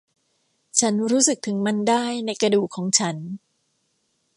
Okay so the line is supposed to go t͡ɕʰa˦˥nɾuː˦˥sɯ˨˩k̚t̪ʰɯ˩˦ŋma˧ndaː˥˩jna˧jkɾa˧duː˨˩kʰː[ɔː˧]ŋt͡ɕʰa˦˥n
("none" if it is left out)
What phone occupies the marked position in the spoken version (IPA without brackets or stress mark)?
ɔː˩˦